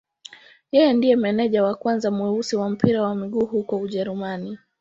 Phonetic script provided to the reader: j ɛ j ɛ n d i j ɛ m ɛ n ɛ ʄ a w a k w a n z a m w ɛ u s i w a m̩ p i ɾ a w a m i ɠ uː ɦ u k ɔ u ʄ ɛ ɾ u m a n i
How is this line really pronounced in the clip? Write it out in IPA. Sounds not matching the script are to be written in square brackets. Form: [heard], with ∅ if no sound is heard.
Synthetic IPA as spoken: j ɛ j ɛ n d i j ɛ m ɛ n ɛ ʄ a w a k w a n z a m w ɛ u s i w a m̩ p i ɾ a w a m i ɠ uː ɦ u k ɔ u ʄ ɛ ɾ u m a n i